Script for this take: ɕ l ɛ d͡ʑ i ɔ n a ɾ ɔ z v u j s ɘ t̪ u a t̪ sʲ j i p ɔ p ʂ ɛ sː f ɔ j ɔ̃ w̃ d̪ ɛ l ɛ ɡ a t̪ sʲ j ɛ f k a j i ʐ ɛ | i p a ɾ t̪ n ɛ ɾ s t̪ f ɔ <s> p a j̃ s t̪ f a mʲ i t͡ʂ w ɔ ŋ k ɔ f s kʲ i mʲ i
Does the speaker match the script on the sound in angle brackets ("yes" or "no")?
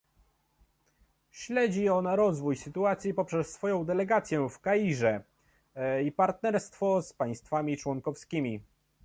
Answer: yes